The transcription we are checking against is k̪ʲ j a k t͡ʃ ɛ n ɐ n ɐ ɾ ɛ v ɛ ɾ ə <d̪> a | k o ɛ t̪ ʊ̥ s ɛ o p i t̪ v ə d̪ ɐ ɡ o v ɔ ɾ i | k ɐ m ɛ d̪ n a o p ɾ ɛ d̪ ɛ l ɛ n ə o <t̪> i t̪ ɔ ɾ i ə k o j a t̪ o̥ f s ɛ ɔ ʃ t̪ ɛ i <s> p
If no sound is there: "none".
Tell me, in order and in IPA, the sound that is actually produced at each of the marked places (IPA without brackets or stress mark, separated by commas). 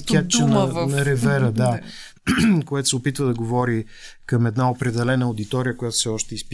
d̪, d̪, s